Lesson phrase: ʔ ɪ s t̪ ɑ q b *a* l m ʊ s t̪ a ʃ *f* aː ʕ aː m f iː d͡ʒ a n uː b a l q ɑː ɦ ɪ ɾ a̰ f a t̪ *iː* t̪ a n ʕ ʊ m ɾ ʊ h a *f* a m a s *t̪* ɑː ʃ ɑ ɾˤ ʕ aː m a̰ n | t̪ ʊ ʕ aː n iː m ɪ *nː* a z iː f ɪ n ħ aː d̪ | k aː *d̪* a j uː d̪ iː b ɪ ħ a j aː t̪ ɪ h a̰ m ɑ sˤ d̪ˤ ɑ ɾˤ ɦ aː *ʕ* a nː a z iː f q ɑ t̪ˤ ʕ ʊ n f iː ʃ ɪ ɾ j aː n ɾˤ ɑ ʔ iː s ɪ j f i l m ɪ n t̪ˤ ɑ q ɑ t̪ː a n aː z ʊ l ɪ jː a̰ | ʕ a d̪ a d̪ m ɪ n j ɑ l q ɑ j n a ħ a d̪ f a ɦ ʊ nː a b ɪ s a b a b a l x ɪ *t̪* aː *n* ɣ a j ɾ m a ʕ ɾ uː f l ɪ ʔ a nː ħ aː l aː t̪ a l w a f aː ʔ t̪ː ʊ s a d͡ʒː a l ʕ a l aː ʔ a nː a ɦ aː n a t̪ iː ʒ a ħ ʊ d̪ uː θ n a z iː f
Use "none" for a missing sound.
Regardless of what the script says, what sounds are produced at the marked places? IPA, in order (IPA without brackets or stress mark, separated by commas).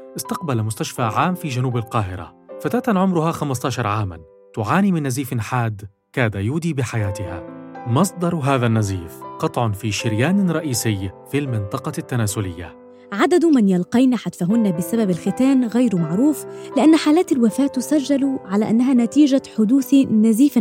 a, f, aː, x, t̪, nː, d̪, ð, t̪, n